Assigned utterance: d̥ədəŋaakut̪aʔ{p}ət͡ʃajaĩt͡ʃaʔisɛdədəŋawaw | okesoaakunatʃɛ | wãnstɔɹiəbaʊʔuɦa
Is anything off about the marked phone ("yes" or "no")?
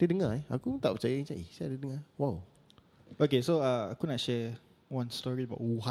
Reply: no